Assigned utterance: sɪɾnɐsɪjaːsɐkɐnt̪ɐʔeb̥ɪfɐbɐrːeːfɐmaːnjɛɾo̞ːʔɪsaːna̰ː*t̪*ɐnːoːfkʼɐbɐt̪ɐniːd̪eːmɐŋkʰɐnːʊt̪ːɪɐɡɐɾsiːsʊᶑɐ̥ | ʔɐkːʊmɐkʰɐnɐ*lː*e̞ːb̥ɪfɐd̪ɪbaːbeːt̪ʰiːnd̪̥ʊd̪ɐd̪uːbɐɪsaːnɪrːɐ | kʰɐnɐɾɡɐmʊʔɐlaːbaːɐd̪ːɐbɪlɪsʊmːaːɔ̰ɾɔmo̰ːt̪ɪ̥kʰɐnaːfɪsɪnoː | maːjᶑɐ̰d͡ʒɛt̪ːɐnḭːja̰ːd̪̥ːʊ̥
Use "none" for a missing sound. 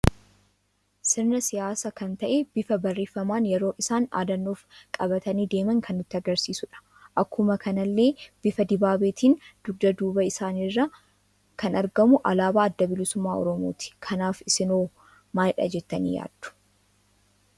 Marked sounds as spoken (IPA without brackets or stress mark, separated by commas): d̪, lː